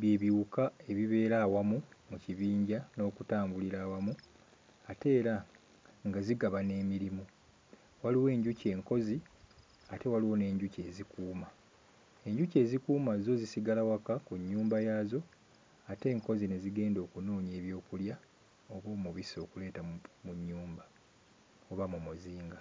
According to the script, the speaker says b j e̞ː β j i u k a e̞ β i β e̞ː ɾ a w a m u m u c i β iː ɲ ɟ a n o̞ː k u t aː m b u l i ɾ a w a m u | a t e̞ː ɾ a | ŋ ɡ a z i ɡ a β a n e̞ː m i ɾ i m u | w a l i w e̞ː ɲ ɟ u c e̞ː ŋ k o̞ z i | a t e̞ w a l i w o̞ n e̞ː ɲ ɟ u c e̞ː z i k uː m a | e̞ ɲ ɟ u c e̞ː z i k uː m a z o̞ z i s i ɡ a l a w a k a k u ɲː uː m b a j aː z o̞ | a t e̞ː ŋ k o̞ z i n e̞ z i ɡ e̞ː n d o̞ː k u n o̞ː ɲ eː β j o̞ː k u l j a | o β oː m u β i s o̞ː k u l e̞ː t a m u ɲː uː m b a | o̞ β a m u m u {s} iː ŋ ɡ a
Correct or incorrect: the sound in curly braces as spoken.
incorrect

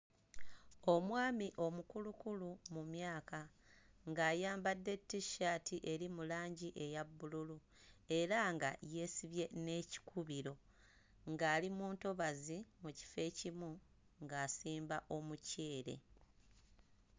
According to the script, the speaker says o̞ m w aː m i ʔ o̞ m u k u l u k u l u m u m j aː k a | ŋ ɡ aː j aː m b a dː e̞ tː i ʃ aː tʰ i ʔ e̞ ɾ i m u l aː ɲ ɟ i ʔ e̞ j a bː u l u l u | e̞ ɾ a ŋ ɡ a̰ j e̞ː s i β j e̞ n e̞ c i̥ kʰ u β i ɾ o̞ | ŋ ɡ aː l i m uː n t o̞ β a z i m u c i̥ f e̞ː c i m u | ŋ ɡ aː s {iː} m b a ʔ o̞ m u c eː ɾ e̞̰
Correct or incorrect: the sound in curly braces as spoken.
correct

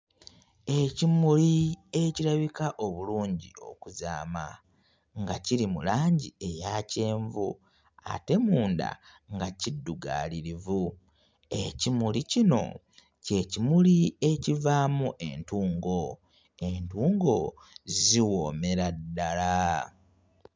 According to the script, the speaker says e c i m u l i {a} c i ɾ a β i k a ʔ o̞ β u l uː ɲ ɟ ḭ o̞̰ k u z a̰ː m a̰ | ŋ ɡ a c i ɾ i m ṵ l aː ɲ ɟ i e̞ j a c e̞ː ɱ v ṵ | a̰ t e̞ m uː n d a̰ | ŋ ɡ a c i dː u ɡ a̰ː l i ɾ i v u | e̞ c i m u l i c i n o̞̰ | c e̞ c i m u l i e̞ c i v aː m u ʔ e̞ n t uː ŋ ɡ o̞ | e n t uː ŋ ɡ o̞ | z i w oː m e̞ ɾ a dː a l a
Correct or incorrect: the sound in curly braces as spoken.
incorrect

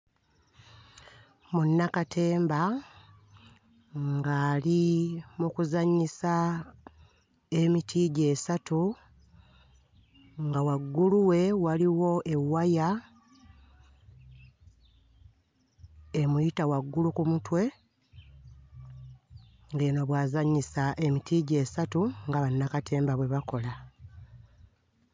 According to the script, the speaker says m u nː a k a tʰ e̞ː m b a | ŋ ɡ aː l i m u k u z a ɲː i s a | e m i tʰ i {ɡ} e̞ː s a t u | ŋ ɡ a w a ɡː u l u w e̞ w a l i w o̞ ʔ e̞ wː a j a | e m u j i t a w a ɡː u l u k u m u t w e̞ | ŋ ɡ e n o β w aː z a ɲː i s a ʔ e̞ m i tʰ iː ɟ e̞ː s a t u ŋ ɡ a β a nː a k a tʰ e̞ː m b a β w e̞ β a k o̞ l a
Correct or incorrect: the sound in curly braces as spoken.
incorrect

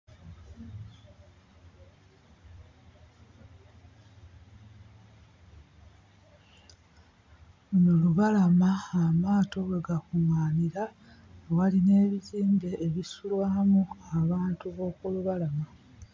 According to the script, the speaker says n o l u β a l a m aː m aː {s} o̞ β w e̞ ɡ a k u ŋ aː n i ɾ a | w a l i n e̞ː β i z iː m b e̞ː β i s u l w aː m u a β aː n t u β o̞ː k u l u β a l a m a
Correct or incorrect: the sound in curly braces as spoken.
incorrect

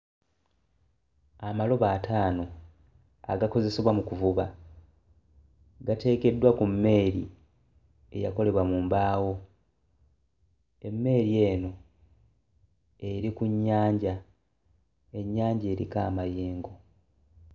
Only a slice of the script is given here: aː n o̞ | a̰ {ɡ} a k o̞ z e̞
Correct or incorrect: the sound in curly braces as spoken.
correct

